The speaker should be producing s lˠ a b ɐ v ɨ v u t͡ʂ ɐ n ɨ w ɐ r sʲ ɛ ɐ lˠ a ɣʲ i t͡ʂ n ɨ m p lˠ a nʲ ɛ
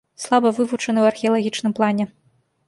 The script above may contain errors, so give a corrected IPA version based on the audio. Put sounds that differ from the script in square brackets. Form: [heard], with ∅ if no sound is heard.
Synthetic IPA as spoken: s lˠ a b ɐ v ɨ v u t͡ʂ ɐ n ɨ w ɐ r [xʲ] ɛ ɐ lˠ a ɣʲ i t͡ʂ n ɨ m p lˠ a nʲ ɛ